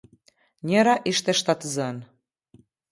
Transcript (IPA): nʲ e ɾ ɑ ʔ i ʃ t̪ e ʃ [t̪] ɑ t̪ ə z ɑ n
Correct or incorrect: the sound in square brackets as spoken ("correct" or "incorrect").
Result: correct